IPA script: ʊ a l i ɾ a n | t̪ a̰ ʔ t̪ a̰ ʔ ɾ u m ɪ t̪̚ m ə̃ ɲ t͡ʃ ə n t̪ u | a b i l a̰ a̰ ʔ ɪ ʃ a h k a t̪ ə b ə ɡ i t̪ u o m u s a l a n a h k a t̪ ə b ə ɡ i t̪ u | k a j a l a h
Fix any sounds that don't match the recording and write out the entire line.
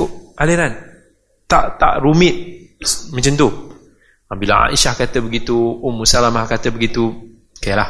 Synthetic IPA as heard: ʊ a l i ɾ a n | t̪ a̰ ʔ t̪ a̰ ʔ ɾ u m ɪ t̪̚ m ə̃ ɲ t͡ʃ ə n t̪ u | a b i l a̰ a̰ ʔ i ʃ a h k a t̪ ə b ə ɡ i t̪ u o m u s a l a m a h k a t̪ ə b ə ɡ i t̪ u | k a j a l a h